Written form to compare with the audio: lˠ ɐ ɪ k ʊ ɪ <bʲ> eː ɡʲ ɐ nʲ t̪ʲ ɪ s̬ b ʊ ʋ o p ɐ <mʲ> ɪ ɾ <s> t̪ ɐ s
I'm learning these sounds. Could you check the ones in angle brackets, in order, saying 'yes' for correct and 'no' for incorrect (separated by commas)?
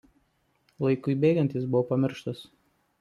yes, yes, no